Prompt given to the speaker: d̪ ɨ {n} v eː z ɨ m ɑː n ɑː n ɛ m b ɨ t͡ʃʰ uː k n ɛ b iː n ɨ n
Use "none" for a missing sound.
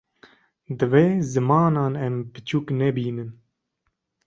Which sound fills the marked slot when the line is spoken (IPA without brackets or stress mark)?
none